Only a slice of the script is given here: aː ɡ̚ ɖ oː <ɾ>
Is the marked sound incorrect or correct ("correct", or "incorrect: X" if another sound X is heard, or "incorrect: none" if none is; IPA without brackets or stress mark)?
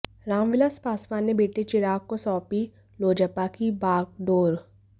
correct